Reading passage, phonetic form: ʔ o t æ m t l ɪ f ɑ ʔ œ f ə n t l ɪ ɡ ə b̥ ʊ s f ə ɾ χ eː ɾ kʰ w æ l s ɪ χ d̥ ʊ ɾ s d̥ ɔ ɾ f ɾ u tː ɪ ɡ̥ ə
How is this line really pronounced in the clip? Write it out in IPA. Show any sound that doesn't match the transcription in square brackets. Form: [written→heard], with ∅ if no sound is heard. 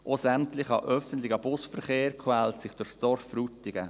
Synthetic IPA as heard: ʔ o [t→s] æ m t l ɪ [f→χ] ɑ ʔ œ f ə n t l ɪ ɡ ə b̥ ʊ s f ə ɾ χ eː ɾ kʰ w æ l s ɪ χ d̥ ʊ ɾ s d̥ ɔ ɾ f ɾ u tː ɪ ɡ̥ ə

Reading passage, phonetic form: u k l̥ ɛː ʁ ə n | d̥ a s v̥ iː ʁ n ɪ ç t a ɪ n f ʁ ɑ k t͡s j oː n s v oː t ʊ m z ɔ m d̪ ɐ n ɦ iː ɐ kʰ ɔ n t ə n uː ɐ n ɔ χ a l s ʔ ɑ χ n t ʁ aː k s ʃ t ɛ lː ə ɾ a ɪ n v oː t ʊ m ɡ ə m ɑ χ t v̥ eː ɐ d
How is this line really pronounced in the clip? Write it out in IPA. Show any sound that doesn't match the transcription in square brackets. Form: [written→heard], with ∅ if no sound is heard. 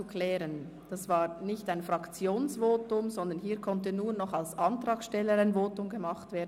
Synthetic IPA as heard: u k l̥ ɛː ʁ ə n | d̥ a s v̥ [iː→aː] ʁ n ɪ ç t a ɪ n f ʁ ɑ k t͡s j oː n s v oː t ʊ m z ɔ [m→n] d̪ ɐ n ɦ iː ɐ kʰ ɔ n t ə n uː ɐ n ɔ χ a l s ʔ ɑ [χ→∅] n t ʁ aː k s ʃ t ɛ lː ə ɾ a ɪ n v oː t ʊ m ɡ ə m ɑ χ t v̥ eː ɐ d

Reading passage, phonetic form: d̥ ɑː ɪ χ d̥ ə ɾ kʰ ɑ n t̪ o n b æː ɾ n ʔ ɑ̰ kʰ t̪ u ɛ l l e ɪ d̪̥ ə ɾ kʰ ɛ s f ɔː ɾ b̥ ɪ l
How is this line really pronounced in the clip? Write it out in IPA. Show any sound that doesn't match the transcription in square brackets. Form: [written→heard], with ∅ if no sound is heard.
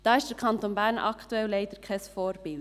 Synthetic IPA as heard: d̥ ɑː ɪ [χ→ʃ] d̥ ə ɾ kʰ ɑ n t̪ o n b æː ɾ n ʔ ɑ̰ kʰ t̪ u ɛ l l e ɪ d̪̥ ə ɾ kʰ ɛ s f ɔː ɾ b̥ ɪ l

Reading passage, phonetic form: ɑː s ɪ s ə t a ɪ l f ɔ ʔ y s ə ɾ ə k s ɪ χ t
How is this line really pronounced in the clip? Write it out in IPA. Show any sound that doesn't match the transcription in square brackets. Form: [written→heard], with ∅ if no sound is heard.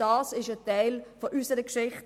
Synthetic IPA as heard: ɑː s ɪ [s→ʃ] ə t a ɪ l f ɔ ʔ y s ə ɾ ə k [s→ʃ] ɪ χ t

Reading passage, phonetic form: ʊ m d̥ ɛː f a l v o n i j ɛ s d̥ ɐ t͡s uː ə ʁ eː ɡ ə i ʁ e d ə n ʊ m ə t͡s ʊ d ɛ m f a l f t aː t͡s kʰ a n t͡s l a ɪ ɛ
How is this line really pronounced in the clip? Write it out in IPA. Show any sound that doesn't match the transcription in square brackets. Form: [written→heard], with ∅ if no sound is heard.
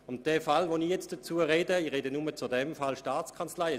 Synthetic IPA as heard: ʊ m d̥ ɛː f a l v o n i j ɛ [s→t͡s] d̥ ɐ t͡s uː ə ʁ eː [ɡ→d] ə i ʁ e d ə n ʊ m ə t͡s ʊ d ɛ m f a l [f→ʃ] t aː t͡s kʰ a n t͡s l a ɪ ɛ

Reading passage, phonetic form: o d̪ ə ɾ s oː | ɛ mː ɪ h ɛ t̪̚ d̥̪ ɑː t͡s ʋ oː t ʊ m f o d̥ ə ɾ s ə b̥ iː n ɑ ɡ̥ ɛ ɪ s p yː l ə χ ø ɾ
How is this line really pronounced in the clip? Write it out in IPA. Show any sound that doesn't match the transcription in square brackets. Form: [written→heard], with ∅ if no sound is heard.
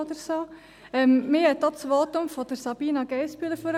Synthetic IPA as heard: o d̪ ə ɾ s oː | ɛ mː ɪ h ɛ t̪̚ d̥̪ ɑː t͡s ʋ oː t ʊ m f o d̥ ə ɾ s [ə→ɑ] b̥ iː n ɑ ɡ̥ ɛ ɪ s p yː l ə [χ→f] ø ɾ

